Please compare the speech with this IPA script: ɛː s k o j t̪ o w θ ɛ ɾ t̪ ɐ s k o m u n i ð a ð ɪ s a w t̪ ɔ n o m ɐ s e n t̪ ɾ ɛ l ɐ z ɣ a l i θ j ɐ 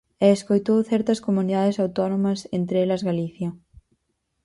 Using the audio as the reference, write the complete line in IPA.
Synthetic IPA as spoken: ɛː s k o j t̪ o w θ ɛ ɾ t̪ ɐ s k o m u n i ð a ð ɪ s a w t̪ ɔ n o m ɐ s e n t̪ ɾ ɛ l ɐ z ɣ a l i θ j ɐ